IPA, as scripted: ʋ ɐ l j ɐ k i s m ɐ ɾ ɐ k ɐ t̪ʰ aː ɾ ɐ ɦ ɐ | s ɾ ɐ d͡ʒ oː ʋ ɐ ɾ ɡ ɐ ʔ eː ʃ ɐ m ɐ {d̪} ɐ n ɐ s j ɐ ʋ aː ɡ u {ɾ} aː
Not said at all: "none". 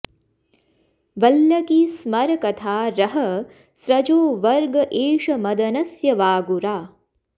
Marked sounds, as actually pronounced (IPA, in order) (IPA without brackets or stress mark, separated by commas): d̪, ɾ